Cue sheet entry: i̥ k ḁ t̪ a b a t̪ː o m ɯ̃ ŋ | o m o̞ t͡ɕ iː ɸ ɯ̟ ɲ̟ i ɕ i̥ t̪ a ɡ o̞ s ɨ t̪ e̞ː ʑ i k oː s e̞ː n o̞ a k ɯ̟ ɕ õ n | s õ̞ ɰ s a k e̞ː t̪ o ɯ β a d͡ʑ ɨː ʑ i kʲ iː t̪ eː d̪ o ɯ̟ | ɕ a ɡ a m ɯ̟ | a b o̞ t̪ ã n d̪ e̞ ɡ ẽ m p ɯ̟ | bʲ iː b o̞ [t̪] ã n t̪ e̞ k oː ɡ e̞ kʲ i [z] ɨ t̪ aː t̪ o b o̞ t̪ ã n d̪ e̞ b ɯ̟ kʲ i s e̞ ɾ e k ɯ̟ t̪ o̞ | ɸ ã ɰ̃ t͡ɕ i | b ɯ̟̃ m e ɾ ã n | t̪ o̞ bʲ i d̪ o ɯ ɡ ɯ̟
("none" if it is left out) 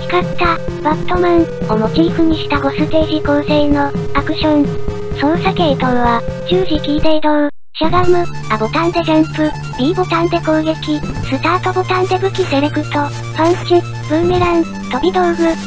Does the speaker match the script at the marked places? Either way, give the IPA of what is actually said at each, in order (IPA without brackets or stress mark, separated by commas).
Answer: t̪, s